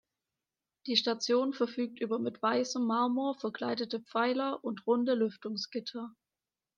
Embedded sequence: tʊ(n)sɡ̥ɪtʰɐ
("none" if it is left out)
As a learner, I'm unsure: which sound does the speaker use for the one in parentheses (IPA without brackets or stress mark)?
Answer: ŋ